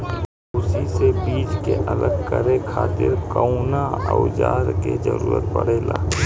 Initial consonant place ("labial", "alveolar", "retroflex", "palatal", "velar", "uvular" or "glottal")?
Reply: alveolar